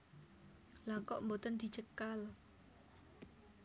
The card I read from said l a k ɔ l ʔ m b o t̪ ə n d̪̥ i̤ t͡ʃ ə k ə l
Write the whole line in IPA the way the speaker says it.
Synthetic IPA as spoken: l a k ɔ ʔ m b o t̪ ə n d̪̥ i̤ t͡ʃ ə k a l